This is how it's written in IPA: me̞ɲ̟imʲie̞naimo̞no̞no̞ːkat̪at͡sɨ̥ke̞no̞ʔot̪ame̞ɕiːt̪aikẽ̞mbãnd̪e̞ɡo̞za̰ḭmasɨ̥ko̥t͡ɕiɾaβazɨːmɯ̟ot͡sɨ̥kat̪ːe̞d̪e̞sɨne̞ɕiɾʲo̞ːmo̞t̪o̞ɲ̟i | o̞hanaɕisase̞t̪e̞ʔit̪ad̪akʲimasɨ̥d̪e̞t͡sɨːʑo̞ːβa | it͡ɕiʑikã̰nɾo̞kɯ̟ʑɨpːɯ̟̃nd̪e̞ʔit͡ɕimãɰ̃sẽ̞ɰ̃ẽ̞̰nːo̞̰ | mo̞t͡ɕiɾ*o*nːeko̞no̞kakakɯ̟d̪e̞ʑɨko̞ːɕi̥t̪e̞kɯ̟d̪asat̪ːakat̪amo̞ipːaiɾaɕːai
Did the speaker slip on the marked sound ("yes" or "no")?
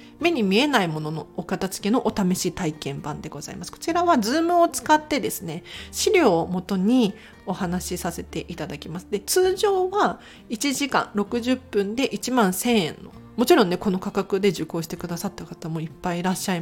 yes